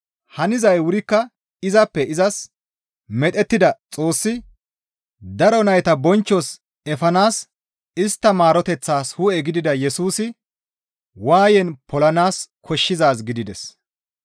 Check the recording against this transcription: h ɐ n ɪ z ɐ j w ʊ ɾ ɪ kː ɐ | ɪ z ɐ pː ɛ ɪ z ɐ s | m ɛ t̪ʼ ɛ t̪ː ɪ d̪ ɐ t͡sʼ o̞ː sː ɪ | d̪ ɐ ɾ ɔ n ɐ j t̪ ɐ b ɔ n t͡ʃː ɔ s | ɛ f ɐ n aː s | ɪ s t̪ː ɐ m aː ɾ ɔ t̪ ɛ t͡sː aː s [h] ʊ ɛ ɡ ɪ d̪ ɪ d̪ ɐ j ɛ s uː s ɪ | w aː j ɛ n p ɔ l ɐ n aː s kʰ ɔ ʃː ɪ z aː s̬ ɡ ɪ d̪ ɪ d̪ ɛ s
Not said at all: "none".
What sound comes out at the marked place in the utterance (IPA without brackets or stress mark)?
h